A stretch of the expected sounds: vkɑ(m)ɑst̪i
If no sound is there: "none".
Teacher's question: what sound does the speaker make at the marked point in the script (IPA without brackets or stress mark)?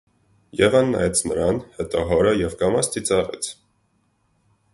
m